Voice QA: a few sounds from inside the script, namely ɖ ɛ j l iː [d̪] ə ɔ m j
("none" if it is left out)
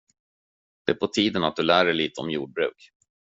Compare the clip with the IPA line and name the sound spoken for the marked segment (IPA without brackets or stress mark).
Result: t̪